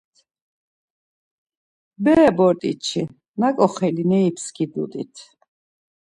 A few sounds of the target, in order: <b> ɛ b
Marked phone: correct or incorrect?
correct